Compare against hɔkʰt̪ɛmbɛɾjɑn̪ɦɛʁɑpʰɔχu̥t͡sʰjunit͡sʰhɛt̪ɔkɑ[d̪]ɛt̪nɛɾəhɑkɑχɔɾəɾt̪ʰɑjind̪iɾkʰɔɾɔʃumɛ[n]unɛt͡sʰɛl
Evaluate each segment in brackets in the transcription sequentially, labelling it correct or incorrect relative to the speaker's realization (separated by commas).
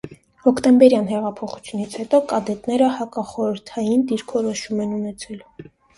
correct, correct